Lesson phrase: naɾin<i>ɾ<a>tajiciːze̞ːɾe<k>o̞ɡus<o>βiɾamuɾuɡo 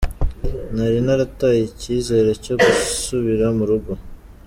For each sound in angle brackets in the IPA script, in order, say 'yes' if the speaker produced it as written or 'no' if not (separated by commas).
no, yes, no, no